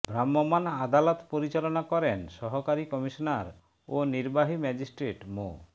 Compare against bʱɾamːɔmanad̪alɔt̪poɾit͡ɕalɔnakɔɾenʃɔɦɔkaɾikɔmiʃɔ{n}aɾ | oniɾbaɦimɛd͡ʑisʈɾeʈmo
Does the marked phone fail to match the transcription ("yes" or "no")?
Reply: no